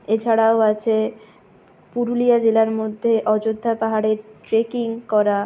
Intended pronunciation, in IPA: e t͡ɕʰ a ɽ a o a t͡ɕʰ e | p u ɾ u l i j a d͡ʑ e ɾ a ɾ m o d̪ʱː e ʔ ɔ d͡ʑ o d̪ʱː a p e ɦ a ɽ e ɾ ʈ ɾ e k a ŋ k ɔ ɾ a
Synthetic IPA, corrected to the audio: e t͡ɕʰ a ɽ a o a t͡ɕʰ e | p u ɾ u l i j a d͡ʑ e l a ɾ m o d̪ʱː e ʔ ɔ d͡ʑ o d̪ʱː a p a ɦ a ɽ e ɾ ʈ ɾ e k i ŋ k ɔ ɾ a